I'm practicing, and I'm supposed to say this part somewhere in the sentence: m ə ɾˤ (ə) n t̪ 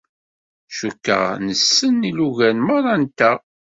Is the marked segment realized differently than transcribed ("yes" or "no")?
yes